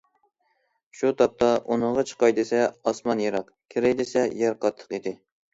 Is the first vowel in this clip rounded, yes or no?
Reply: yes